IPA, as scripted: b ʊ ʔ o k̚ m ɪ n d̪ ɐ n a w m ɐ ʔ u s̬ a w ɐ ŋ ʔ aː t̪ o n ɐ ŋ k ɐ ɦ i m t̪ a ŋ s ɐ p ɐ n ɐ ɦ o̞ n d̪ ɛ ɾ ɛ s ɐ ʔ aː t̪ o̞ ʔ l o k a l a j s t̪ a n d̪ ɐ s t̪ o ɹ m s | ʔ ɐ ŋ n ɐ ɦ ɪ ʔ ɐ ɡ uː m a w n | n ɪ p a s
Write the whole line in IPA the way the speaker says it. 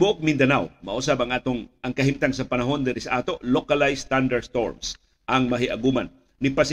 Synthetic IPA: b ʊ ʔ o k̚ m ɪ n d̪ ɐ n a w m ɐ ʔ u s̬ a b ɐ ŋ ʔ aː t̪ o ŋ ɐ ŋ k ɐ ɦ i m t̪ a ŋ s ɐ p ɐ n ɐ ɦ o̞ n d̪ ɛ ɾ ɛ s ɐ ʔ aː t̪ o̞ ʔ l o k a l a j s t̪ a n d̪ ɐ s t̪ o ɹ m s | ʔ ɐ ŋ m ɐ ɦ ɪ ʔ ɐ ɡ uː m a n | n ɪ p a s